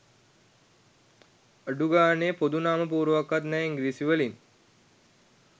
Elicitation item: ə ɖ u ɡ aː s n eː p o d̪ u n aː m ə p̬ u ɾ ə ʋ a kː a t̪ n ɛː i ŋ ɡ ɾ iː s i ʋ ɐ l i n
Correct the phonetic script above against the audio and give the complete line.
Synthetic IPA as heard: ə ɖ u ɡ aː n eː p o d̪ u n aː m ə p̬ uː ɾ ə ʋ a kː a t̪ n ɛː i ŋ ɡ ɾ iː s i ʋ ə l i n